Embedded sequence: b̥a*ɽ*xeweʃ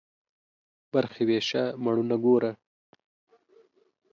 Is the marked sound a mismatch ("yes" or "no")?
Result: yes